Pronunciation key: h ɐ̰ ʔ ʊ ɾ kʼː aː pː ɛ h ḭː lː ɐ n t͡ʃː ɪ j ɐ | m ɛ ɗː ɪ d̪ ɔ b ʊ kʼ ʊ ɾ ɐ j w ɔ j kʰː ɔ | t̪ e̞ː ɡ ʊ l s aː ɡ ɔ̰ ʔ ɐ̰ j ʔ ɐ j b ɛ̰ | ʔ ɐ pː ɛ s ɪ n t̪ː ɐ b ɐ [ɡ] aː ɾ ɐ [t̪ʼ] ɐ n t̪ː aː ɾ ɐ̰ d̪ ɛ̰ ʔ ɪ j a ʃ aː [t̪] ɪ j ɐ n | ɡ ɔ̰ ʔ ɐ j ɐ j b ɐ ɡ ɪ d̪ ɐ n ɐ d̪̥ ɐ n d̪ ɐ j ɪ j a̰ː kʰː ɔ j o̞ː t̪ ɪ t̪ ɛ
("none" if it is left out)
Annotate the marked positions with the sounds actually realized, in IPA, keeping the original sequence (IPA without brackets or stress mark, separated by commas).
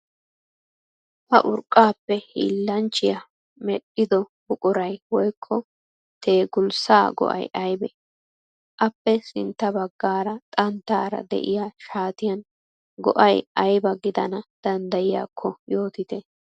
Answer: ɡː, t̪ʼ, t̪